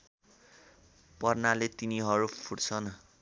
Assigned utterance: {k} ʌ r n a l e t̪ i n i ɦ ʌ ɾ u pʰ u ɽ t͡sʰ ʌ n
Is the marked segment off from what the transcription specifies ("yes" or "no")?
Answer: yes